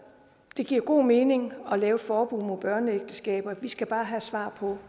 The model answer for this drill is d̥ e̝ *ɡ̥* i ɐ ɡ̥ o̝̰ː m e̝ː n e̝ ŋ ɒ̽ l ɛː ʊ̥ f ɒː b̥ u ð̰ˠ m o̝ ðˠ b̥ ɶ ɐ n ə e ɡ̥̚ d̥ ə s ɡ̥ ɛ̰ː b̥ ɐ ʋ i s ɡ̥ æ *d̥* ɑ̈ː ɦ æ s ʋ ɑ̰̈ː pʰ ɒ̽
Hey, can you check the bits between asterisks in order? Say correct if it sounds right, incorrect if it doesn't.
correct, incorrect: b̥

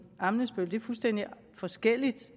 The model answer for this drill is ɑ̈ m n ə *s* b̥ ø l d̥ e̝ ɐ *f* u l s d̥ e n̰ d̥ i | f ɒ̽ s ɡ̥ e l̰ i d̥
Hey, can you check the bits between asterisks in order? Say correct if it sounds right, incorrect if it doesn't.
correct, correct

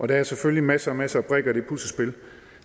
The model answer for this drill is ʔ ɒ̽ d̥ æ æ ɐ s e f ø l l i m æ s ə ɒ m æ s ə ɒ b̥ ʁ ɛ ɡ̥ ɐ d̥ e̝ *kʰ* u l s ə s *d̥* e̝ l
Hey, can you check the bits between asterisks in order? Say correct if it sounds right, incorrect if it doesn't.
incorrect: pʰ, incorrect: b̥

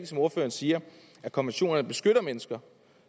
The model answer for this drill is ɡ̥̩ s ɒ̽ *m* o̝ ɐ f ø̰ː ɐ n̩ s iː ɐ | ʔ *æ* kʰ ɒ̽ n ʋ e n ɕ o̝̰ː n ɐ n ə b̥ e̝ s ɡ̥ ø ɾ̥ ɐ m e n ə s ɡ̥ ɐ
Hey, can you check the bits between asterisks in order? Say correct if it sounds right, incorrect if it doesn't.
correct, correct

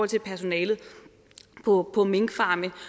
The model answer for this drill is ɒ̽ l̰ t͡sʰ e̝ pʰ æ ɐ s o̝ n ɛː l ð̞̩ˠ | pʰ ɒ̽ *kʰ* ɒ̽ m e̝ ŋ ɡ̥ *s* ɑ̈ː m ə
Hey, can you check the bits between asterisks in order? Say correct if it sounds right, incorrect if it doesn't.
incorrect: pʰ, incorrect: f

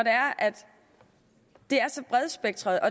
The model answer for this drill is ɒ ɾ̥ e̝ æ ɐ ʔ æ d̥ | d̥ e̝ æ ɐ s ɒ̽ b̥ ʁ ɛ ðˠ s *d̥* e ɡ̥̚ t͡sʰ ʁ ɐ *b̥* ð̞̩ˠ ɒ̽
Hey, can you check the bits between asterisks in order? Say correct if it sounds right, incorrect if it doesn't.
incorrect: b̥, incorrect: none

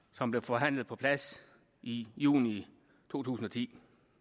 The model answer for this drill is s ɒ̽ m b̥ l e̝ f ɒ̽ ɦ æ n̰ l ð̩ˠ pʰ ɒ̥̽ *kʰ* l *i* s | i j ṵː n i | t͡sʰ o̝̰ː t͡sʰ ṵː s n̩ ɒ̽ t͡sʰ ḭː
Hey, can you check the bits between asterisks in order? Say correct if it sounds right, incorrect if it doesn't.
incorrect: pʰ, incorrect: æ

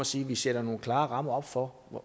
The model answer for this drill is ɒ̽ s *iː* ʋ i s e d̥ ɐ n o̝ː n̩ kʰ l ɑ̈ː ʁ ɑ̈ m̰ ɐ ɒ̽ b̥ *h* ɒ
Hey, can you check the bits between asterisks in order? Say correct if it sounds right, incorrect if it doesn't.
correct, incorrect: f

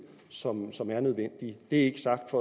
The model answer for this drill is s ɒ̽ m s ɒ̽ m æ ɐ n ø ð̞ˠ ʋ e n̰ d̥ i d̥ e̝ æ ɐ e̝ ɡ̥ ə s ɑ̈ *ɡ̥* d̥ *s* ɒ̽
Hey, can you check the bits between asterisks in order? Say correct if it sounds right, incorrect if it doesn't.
correct, incorrect: f

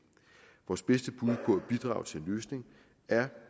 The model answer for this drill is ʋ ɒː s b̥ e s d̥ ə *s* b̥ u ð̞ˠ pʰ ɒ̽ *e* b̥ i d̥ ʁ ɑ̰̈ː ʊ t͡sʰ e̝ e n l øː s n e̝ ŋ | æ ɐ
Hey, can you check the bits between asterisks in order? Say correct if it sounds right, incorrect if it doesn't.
incorrect: none, incorrect: æ

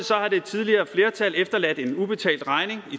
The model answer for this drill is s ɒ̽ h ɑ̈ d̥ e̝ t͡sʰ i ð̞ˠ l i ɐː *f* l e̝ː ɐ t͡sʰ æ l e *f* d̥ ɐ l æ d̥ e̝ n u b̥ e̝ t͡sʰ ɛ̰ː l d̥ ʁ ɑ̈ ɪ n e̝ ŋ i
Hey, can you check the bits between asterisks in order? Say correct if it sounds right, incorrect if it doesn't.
correct, correct

